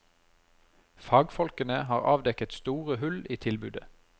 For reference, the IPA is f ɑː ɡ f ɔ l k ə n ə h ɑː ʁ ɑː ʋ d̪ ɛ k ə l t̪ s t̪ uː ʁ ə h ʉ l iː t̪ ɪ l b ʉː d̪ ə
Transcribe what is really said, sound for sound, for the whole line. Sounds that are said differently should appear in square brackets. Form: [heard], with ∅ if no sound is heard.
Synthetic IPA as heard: f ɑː ɡ f ɔ l k ə n ə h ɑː ʁ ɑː ʋ d̪ ɛ k ə [∅] t̪ s t̪ uː ʁ ə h ʉ l iː [t̪ʰ] ɪ l b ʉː d̪ ə